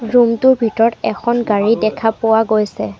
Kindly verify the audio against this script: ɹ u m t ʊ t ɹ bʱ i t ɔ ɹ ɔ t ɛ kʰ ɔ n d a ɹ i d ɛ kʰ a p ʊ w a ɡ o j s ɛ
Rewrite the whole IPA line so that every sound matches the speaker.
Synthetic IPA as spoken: ɹ u m t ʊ ɹ bʱ i t ɔ ɹ ɔ t ɛ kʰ ɔ n ɡ a ɹ i d ɛ kʰ a p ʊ w a ɡ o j s ɛ